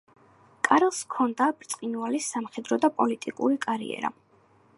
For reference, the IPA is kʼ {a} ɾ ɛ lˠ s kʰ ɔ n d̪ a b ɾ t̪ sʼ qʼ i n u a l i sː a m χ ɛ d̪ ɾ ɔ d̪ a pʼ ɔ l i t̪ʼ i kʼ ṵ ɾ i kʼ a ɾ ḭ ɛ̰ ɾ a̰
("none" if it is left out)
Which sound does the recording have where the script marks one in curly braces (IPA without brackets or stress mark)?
a